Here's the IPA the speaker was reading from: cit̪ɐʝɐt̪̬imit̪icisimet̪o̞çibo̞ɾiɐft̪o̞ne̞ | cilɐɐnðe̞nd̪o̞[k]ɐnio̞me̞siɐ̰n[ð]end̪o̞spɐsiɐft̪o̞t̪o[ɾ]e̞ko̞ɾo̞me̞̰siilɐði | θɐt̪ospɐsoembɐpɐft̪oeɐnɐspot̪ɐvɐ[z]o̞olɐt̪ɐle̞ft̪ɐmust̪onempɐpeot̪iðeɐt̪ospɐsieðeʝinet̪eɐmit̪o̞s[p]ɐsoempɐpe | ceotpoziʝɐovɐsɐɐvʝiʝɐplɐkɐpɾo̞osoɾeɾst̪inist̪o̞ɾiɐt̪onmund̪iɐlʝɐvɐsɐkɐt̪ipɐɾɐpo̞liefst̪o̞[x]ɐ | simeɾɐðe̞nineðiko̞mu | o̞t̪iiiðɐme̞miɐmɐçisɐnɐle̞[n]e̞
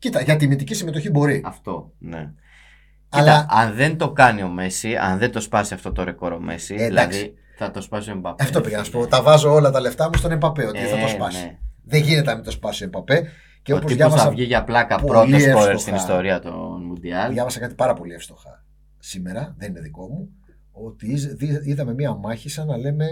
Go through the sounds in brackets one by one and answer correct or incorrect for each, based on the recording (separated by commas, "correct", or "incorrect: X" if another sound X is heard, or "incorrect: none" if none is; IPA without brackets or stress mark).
correct, correct, correct, correct, correct, correct, incorrect: m